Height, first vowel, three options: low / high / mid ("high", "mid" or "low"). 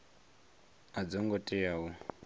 low